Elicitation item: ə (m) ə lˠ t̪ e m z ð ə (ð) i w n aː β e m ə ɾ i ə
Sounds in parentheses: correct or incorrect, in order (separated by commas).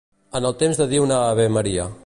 incorrect, correct